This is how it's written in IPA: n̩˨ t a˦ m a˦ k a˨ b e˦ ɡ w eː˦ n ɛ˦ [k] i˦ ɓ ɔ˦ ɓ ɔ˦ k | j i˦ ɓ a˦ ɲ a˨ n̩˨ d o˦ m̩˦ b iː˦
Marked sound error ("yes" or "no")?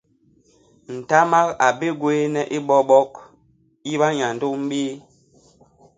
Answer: yes